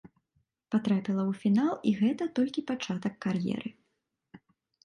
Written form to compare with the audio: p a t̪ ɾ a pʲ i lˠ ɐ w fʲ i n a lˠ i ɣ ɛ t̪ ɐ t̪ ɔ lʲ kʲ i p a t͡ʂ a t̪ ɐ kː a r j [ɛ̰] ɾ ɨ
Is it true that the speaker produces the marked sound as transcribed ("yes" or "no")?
yes